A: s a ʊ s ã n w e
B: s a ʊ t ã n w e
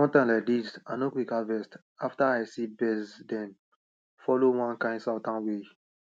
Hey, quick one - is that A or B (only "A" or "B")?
B